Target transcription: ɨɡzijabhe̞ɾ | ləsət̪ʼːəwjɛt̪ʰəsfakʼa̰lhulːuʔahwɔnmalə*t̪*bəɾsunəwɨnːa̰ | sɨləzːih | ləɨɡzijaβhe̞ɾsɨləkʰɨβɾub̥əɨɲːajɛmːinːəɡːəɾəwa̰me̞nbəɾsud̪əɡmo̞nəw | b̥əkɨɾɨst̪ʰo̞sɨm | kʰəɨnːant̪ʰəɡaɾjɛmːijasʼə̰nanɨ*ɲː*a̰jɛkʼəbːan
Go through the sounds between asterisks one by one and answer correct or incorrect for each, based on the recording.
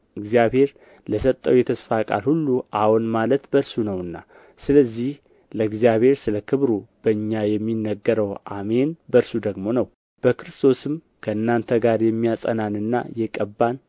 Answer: correct, incorrect: nː

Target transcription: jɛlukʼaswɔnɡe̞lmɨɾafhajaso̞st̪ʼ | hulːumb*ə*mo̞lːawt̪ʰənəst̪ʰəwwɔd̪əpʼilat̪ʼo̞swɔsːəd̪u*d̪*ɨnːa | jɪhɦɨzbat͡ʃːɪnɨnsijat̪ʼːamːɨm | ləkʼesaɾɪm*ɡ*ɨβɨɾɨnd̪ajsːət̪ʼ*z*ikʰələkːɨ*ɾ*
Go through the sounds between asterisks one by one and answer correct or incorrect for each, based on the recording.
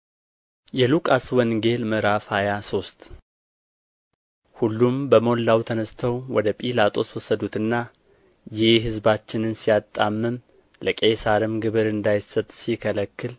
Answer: correct, incorrect: t̪, correct, incorrect: s, incorrect: l

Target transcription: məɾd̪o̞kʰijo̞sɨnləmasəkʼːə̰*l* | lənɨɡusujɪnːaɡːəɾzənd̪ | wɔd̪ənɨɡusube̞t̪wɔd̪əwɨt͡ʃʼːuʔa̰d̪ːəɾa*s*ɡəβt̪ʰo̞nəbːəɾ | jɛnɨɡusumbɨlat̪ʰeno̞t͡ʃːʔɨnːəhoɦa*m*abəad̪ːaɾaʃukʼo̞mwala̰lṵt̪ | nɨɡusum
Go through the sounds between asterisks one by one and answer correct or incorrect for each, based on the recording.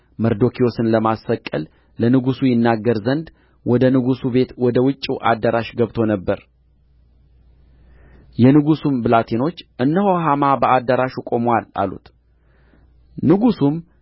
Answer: correct, incorrect: ʃ, correct

